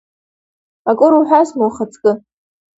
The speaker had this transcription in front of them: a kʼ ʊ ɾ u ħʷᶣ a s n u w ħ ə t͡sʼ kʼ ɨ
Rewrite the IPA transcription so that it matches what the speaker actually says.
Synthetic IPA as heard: a kʼ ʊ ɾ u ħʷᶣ a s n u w χ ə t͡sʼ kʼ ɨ

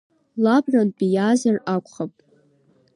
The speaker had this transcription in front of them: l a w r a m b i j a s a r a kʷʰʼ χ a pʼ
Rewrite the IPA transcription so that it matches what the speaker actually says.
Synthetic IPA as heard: l a b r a n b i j a z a r a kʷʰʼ χ a pʼ

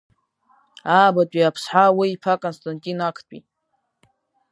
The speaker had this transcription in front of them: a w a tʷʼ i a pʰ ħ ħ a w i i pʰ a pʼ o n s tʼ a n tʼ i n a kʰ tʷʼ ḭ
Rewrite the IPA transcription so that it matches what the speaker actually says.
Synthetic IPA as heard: a b a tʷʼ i a pʰ s ħ a w i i pʰ a kʼ o n s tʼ a n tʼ i n a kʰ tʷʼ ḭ

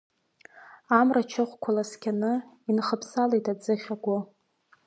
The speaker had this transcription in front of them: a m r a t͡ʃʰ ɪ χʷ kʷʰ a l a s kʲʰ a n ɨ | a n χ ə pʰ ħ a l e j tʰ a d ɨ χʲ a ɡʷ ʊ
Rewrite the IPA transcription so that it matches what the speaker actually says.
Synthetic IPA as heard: a m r a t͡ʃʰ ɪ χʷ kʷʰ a l a s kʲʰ a n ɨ | i n χ ə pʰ s a l e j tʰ a d͡z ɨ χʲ a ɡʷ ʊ

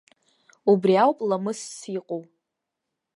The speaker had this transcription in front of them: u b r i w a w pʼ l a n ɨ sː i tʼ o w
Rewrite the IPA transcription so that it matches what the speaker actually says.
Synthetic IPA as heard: u b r i a w pʼ l a m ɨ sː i qʼ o w

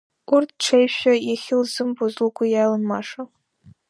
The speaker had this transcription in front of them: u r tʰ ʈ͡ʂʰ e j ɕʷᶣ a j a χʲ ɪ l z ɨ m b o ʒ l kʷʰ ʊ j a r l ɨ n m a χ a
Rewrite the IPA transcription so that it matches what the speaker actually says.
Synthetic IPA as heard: u r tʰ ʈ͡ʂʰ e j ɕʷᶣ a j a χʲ ɪ l z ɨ m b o z l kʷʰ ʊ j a l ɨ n m a ʂ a

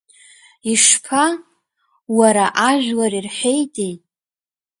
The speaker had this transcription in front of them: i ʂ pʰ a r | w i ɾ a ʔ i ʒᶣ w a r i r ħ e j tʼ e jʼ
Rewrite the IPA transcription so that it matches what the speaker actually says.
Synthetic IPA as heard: i ʂ pʰ a | w a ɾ a ʔ a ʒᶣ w a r i r ħ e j tʼ e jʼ

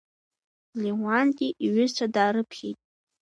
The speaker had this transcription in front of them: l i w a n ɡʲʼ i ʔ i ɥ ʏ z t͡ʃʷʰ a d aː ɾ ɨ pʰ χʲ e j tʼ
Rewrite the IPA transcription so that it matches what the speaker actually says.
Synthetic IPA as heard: l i w a n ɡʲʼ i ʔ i ɥ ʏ z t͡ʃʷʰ a d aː ɾ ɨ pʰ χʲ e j tʼ

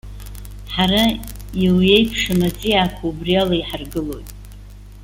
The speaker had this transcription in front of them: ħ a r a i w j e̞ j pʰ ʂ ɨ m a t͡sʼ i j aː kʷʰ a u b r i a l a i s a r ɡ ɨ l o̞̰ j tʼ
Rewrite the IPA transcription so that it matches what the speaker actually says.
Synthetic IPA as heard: ħ a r a i w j e̞ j pʰ ʂ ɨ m a t͡sʼ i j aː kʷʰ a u b r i a l a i ħ a r ɡ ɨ l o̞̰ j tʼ

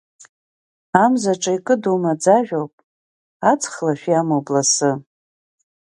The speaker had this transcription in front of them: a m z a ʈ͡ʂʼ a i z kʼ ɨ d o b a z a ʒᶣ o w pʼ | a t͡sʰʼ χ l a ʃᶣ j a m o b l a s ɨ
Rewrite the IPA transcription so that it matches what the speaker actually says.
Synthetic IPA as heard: a m z a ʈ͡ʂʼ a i kʼ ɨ d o m a d͡z a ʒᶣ o w pʼ | a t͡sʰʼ χ l a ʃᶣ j a m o b l a s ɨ

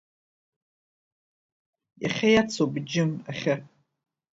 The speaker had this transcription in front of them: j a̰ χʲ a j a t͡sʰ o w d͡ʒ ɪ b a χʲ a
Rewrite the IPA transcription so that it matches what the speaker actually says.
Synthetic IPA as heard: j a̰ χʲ a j a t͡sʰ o b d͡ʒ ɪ m a χʲ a

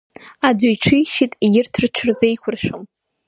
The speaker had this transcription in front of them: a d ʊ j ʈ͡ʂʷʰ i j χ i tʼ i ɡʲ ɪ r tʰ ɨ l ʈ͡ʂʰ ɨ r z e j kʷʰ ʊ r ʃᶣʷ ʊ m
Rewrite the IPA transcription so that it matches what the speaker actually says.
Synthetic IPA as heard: a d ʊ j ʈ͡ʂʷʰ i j ʃ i tʼ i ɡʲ ɪ r tʰ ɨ r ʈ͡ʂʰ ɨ r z e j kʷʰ ʊ r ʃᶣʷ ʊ m

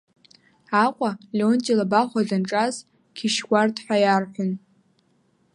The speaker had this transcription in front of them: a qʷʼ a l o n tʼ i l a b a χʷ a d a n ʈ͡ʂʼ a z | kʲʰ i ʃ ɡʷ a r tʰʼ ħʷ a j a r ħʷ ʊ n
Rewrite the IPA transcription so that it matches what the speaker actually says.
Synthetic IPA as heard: a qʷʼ a l o n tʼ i l a b a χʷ a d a n ʈ͡ʂʼ a z | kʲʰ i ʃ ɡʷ a r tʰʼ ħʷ a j a r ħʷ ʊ n

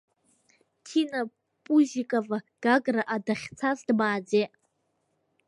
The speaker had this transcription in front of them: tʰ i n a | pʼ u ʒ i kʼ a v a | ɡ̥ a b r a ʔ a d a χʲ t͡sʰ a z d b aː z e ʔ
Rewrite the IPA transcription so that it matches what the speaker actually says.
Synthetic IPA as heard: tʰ i n a | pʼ u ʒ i kʼ a v a | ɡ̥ a ɡ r a ʔ a d a χʲ t͡sʰ a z d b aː d͡z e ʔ

